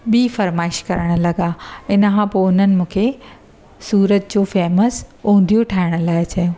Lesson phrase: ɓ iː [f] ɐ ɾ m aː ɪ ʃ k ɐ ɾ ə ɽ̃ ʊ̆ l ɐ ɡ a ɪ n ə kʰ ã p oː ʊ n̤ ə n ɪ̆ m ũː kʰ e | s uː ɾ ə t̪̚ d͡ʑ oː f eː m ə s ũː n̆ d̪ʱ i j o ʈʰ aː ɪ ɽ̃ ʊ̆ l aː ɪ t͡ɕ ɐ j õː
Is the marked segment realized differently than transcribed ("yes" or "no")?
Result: no